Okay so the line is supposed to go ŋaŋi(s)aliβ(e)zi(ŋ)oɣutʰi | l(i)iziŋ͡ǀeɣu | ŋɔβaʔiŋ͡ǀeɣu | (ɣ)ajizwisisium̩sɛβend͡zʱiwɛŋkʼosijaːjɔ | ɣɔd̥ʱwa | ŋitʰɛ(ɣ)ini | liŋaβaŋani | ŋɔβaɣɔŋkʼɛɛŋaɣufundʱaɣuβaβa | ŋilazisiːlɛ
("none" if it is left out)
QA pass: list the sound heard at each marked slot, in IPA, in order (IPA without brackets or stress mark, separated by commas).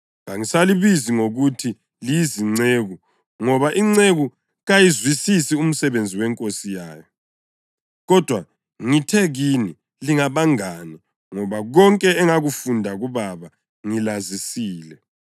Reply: s, i, ŋ, i, ɣ, ɣ